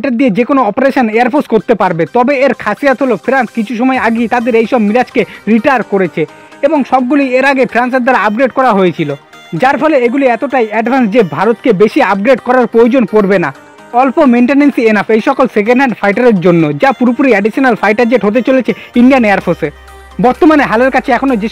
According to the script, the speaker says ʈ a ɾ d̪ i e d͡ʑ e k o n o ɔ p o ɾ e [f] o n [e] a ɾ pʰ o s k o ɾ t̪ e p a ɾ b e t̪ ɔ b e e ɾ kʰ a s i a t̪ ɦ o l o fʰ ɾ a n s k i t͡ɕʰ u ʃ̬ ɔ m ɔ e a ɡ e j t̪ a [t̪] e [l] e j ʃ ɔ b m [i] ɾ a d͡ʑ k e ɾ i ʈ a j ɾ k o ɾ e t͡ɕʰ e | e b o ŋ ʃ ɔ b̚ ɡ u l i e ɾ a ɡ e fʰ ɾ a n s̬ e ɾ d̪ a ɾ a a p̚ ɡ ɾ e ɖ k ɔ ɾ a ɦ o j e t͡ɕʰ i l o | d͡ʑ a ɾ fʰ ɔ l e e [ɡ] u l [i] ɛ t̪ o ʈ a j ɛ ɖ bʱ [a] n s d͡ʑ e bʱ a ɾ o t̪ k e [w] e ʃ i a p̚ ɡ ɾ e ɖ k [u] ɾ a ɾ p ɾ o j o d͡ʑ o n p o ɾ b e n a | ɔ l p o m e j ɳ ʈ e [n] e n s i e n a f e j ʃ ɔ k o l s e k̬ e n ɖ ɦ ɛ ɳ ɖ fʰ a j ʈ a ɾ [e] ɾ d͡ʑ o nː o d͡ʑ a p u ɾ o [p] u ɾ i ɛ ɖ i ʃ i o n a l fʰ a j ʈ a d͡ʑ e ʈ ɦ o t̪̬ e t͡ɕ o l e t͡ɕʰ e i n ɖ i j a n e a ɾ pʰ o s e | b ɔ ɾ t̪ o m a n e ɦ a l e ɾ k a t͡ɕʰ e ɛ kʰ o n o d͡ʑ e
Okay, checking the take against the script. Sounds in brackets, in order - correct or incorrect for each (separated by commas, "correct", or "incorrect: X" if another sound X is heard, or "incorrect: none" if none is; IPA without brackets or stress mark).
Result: incorrect: ʃ, correct, incorrect: d̪, incorrect: ɾ, correct, correct, correct, correct, incorrect: b, incorrect: ɔ, correct, correct, correct